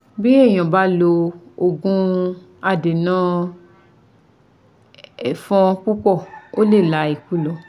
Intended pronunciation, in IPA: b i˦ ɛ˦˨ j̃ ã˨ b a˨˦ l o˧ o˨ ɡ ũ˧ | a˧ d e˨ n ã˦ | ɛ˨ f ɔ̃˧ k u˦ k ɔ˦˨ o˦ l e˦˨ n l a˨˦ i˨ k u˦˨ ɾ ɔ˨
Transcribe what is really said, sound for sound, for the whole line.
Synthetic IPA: b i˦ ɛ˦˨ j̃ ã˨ b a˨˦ l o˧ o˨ ɡ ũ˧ | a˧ d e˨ n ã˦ | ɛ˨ f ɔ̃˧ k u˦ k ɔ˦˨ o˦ l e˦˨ l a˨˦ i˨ k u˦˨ l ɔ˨